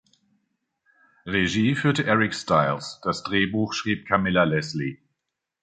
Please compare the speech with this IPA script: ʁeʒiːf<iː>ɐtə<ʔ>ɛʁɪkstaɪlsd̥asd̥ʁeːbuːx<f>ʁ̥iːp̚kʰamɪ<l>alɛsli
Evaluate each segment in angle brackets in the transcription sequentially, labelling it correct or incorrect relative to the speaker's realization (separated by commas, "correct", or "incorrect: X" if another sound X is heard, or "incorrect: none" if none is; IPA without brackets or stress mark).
incorrect: yː, correct, incorrect: ʃ, correct